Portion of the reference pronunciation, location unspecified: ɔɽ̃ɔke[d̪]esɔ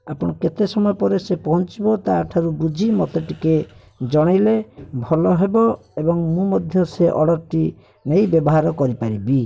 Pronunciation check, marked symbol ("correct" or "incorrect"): incorrect